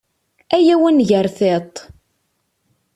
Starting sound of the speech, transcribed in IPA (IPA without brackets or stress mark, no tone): æ